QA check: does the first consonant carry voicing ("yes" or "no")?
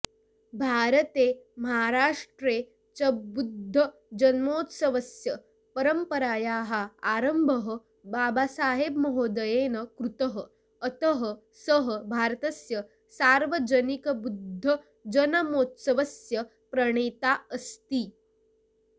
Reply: yes